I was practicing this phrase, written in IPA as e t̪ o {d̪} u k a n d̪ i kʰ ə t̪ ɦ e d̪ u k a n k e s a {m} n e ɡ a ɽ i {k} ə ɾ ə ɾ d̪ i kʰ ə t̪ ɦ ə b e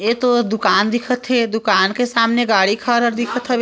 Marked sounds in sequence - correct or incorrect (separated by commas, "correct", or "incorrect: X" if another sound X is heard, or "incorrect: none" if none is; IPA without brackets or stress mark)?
correct, correct, incorrect: kʰ